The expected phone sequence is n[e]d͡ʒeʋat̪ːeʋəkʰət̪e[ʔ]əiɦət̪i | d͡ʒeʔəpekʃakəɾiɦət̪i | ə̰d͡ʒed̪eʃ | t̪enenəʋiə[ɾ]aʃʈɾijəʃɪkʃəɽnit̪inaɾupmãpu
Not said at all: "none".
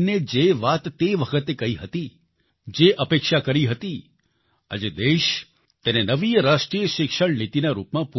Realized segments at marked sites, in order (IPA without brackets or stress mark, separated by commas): e, k, ɾ